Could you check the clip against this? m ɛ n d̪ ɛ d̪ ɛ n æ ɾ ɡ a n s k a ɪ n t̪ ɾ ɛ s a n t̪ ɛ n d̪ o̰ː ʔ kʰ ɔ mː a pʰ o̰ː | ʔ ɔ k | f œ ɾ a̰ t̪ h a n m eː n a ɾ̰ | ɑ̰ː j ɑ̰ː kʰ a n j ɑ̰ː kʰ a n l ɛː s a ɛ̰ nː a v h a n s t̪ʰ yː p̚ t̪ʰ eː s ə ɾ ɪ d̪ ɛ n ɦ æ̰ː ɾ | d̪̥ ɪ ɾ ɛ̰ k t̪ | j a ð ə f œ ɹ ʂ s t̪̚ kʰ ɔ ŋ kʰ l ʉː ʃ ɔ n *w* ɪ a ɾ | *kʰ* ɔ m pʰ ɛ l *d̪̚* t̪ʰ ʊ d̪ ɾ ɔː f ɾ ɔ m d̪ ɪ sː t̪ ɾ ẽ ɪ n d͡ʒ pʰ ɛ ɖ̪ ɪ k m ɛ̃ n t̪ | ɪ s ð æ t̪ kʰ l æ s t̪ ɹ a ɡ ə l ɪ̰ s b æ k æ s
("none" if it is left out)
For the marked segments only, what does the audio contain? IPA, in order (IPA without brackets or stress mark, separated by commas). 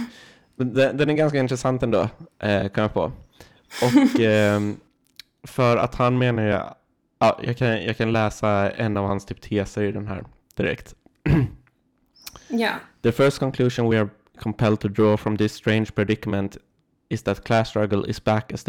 w, kʰ, d̪̚